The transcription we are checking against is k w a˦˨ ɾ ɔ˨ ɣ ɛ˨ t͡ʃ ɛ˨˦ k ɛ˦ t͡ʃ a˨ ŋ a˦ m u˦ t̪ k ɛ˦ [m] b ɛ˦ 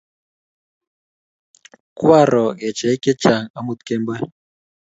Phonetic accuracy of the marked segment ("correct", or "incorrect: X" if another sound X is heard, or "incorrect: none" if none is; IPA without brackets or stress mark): correct